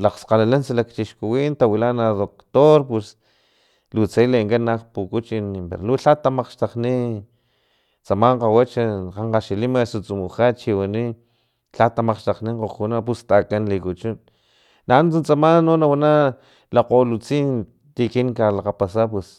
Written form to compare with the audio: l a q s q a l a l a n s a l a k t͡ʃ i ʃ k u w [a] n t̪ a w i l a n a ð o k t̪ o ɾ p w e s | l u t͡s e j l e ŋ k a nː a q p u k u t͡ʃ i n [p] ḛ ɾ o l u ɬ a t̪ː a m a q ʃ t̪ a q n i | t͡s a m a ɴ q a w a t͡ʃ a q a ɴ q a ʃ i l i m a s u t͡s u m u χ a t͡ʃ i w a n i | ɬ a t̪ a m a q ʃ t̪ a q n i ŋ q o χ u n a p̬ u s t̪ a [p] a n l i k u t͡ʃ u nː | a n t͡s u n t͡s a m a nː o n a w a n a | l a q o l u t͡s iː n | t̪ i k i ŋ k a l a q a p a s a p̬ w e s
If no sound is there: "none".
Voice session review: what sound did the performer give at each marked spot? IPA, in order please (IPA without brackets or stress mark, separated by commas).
i, p, k